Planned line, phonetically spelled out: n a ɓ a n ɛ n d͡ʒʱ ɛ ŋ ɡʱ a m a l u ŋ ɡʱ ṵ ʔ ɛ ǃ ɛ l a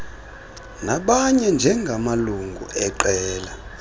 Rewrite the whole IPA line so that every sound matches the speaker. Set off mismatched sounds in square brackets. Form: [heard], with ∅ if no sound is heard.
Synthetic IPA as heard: n a ɓ a [ɲ] ɛ n d͡ʒʱ ɛ ŋ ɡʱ a m a l u ŋ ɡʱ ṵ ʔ ɛ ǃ [ɛː] l a

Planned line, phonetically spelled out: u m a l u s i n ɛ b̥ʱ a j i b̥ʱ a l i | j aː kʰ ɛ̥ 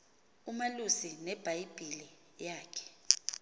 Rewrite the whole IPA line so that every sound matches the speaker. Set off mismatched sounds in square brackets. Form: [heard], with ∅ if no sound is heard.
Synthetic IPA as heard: u m a l u s i n ɛ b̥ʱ a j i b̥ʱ [i] l i | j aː kʰ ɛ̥

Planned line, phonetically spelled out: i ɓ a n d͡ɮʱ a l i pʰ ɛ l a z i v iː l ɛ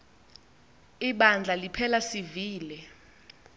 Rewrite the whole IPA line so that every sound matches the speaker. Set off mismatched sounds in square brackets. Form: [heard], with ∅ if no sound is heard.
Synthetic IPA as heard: i ɓ a n d͡ɮʱ a l i pʰ ɛ l a [s] i v iː l ɛ

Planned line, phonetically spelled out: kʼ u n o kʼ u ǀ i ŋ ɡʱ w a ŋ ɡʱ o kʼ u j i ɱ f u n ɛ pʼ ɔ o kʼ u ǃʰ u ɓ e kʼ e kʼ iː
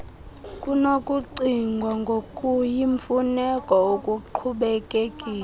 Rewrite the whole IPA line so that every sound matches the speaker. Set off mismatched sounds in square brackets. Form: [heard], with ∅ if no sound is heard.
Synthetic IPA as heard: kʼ u n o kʼ u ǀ i ŋ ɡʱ w a ŋ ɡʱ o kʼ u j i ɱ f u n ɛ [kʼ] ɔ o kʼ u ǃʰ u ɓ [ɛ] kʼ e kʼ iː

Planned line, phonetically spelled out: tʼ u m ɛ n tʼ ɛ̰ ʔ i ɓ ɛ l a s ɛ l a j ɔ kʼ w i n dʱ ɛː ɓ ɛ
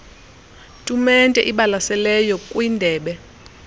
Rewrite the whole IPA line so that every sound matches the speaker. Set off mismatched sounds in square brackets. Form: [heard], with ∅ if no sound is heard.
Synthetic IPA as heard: tʼ u m ɛ n tʼ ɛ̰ ʔ i ɓ [a] l a s ɛ l [ɛ] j ɔ kʼ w i n dʱ ɛː ɓ ɛ

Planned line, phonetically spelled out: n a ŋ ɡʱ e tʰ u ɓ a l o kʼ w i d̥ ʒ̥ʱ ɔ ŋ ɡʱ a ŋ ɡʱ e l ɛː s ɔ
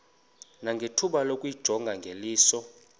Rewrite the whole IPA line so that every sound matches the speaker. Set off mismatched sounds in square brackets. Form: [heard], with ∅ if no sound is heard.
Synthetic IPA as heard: n a ŋ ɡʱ e tʰ u ɓ a l o kʼ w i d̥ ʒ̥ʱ ɔ ŋ ɡʱ a ŋ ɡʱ e l [iː] s ɔ

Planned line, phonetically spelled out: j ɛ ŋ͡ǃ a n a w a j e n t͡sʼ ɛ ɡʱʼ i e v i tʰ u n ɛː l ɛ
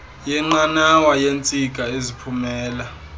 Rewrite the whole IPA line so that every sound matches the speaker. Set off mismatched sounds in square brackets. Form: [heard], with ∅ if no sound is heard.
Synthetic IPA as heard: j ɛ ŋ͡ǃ a n a w a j e n t͡sʼ [i] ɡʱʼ [a] e [z] i [pʰ] u [m] ɛː l [a]

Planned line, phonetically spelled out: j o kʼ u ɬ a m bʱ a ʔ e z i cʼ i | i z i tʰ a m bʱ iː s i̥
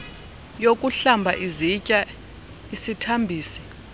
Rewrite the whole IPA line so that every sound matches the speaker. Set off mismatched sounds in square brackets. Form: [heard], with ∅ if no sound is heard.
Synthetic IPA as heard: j o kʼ u ɬ a m bʱ a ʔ [i] z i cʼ [a] | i [s] i tʰ a m bʱ iː s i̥

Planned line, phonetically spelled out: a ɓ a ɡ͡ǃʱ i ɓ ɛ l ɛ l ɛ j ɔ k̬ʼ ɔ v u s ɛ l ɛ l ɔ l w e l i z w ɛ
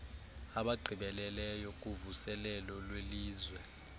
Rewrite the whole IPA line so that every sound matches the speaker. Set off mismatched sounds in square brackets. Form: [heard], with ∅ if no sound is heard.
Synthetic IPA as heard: a ɓ a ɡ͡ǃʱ i ɓ ɛ l ɛ l ɛ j ɔ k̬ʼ [u] v u s ɛ l ɛ l ɔ l w e l [iː] z w ɛ

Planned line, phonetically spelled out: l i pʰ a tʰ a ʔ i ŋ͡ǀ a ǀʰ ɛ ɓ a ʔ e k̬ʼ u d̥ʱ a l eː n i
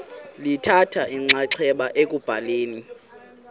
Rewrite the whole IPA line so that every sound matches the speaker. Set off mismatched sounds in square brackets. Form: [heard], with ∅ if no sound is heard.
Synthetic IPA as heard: l i [tʰ] a tʰ a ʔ i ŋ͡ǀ a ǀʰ ɛ ɓ a ʔ e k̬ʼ u [b̥ʱ] a l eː n i

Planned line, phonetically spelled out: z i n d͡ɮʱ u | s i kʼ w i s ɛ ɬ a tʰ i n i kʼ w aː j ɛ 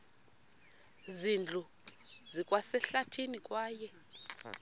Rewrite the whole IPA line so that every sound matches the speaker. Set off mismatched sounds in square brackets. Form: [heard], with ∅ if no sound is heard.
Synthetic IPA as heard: z i n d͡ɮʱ u | [z] i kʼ w [a] s ɛ ɬ a tʰ i n i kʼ w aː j ɛ

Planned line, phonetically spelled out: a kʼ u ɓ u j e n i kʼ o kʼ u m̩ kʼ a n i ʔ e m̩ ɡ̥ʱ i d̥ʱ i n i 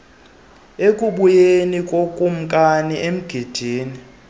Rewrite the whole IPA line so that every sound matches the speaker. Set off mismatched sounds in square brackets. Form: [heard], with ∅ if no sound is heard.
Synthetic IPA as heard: [e] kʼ u ɓ u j e n i kʼ o kʼ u m̩ kʼ a n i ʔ e m̩ ɡ̥ʱ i d̥ʱ [iː] n i

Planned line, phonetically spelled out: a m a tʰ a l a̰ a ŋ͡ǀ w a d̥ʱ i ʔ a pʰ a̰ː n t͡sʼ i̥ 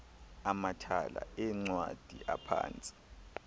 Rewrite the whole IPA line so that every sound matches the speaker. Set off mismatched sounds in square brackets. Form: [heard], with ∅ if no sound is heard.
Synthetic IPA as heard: a m a tʰ a l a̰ [ɛ] ŋ͡ǀ w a d̥ʱ i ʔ a pʰ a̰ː n t͡sʼ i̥

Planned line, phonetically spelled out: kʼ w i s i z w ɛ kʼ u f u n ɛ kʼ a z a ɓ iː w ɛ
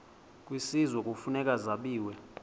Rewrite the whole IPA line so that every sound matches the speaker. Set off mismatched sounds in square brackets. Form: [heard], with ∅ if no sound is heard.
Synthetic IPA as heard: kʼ w i s i z w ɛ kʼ u f u n ɛ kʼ a z a ɓ iː w ɛ

